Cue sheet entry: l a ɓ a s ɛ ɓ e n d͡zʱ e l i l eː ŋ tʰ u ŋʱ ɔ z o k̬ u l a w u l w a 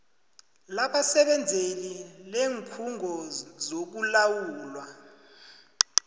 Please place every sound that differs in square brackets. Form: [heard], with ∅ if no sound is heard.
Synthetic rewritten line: l a ɓ a s ɛ ɓ [ɛ] n d͡zʱ e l i l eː ŋ [kʰ] u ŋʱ ɔ z o k̬ u l a w [uː] l w a